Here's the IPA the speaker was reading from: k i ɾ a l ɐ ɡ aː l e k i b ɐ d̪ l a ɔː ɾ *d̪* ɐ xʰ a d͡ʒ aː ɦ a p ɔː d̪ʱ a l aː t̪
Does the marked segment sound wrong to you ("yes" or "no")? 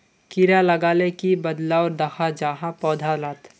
no